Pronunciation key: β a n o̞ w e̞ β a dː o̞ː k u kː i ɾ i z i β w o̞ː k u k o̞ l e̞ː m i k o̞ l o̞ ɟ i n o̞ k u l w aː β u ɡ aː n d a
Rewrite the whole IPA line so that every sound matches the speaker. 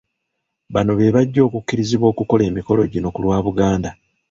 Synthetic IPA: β a n o̞ β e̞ β a ɟː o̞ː k u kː i ɾ i z i β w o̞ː k u k o̞ l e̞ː m i k o̞ l o̞ ɟ i n o̞ k u l w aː β u ɡ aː n d a